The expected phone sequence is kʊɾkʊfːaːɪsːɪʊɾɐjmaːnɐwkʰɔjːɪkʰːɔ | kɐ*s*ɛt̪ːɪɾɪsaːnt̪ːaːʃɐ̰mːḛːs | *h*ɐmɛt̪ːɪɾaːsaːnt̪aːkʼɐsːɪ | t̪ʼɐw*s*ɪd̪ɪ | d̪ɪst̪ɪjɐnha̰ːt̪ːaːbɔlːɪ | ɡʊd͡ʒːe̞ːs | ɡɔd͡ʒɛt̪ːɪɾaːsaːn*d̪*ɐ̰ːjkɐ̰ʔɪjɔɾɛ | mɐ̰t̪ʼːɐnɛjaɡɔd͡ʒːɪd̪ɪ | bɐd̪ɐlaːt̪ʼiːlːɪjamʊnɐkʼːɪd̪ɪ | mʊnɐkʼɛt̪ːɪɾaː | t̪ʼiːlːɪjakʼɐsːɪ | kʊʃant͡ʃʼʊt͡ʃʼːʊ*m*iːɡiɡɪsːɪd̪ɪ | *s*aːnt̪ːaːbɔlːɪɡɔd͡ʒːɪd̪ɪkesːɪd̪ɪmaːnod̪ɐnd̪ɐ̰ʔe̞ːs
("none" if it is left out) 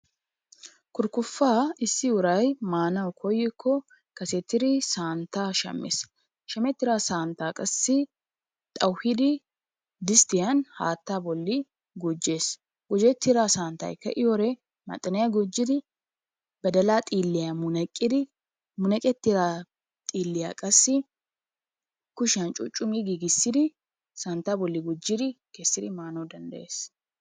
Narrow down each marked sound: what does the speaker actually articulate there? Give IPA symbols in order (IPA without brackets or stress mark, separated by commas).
s, ʃ, h, t̪, m, s